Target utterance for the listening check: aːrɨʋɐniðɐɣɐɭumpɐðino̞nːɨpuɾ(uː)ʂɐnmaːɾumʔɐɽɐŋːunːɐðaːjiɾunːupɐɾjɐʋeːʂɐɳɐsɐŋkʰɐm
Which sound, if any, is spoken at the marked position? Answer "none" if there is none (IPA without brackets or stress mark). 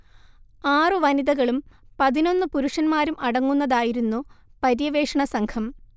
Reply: u